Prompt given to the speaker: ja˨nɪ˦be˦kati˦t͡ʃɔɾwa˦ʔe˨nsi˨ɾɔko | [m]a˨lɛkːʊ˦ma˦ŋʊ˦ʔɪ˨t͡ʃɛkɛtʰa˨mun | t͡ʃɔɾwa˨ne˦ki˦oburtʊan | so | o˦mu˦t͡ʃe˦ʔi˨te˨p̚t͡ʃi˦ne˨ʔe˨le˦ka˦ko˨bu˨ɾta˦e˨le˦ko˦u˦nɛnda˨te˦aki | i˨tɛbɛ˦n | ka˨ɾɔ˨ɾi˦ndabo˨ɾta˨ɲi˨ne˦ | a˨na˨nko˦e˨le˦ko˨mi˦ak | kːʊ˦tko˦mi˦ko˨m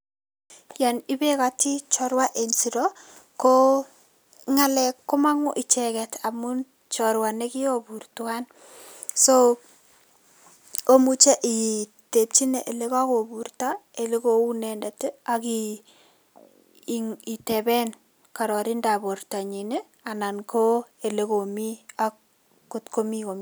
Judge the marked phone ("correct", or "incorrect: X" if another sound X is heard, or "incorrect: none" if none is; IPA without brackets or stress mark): incorrect: ŋ